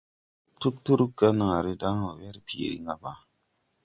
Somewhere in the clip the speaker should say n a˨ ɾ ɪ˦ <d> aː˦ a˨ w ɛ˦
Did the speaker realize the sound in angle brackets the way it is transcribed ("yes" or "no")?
yes